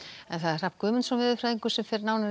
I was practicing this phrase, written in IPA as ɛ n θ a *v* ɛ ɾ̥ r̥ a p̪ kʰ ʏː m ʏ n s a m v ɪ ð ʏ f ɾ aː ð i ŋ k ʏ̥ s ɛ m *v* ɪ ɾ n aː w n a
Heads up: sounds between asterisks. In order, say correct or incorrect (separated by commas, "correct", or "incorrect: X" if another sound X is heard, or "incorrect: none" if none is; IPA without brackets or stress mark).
incorrect: ð, incorrect: f